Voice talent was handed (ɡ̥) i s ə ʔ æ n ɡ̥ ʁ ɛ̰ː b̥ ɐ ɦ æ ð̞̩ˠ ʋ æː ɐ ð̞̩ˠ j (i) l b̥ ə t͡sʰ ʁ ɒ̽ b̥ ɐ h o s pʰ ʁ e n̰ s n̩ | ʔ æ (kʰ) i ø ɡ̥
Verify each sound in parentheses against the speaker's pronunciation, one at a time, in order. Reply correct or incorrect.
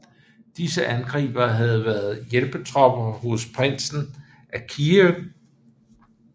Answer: incorrect, incorrect, correct

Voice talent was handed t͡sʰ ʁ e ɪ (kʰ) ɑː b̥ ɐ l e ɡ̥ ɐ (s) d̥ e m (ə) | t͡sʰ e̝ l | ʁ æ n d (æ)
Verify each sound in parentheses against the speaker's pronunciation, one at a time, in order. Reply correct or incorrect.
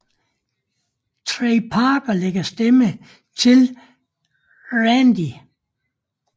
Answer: incorrect, correct, correct, incorrect

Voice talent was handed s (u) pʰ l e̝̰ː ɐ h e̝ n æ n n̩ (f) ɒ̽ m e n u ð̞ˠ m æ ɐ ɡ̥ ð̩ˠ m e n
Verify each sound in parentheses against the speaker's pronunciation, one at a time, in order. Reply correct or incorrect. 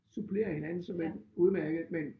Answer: correct, incorrect

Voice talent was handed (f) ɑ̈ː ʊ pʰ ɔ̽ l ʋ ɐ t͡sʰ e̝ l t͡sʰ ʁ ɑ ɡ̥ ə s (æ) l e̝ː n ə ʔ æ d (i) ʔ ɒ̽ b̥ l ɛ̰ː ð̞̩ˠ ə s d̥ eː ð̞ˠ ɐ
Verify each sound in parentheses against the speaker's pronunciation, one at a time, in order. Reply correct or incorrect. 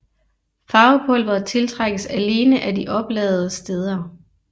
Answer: correct, correct, correct

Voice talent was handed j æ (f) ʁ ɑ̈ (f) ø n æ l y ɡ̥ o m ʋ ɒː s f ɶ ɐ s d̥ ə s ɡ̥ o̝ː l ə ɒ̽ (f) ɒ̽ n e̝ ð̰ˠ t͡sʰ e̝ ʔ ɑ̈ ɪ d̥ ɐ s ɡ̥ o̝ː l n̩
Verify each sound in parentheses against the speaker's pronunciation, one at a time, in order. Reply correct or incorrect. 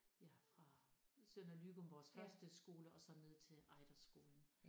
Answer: correct, incorrect, incorrect

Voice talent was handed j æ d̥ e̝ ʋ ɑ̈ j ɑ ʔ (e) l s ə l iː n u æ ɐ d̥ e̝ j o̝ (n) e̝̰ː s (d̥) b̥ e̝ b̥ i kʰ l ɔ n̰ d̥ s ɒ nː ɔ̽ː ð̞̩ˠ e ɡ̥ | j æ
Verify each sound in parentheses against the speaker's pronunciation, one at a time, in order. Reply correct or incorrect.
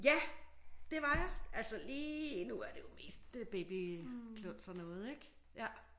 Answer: incorrect, incorrect, correct

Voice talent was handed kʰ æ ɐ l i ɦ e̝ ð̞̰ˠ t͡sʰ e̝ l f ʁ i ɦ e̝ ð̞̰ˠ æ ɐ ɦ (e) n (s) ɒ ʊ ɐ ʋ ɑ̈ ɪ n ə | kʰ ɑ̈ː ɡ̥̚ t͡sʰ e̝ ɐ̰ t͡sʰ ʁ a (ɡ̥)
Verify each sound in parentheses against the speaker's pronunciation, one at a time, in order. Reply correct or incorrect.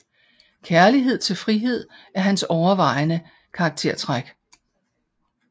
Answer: incorrect, correct, correct

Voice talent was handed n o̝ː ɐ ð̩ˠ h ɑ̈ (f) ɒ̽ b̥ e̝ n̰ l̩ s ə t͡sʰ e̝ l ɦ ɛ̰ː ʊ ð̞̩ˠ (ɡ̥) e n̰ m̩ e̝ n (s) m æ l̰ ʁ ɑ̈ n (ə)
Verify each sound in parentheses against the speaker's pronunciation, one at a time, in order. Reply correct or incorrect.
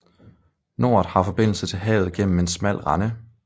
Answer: correct, correct, correct, correct

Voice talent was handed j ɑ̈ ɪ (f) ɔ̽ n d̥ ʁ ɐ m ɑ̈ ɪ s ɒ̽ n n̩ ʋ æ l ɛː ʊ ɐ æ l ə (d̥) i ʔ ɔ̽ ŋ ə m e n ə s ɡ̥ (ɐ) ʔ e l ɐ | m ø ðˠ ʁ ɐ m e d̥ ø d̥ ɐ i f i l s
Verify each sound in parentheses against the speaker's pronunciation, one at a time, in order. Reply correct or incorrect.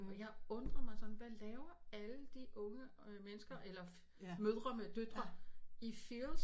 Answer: incorrect, correct, correct

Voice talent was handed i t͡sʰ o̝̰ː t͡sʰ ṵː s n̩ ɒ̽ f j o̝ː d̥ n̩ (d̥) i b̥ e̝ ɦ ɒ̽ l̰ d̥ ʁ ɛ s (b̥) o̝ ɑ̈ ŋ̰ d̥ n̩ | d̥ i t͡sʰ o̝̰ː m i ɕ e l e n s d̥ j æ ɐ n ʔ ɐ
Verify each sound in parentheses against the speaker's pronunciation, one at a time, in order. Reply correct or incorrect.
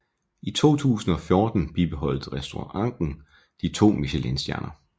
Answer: incorrect, incorrect

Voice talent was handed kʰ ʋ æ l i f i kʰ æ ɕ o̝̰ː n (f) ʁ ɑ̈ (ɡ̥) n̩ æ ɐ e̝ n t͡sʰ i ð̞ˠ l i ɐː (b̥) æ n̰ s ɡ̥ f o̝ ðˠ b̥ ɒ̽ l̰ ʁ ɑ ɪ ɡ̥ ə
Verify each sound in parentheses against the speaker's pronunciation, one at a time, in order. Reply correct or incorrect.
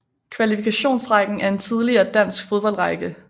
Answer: incorrect, correct, incorrect

